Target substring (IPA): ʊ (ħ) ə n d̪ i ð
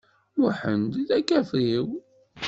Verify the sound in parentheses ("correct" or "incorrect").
correct